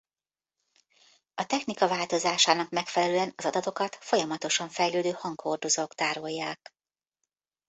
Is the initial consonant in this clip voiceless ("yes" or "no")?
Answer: yes